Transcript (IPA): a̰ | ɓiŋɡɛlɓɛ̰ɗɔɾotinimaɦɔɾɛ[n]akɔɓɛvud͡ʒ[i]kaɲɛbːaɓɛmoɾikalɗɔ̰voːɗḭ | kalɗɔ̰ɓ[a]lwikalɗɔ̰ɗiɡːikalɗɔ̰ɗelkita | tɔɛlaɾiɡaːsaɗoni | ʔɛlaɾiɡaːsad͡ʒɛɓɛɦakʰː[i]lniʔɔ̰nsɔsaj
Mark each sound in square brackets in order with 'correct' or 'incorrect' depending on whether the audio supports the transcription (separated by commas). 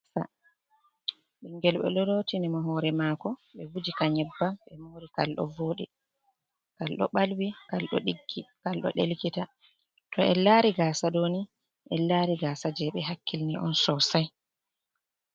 incorrect, correct, correct, correct